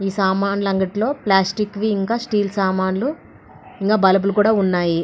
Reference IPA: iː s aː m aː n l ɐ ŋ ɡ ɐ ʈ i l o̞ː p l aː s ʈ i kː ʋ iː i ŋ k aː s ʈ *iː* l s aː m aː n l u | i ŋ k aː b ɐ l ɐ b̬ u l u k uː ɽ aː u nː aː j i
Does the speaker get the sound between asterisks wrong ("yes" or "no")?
no